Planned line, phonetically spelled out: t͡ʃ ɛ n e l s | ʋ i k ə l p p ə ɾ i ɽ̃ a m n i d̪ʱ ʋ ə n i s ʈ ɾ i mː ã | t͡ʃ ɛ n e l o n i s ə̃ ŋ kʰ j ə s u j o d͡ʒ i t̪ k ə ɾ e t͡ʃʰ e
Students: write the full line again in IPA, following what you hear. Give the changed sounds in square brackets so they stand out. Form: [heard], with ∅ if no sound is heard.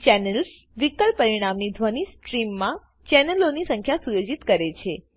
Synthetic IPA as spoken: t͡ʃ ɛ n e l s | ʋ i k ə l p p ə ɾ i ɽ̃ a m n i d̪ʱ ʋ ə n i s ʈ ɾ i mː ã | t͡ʃ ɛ n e l o n i s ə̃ ŋ kʰ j [a] s u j o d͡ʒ i t̪ k ə ɾ e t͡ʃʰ e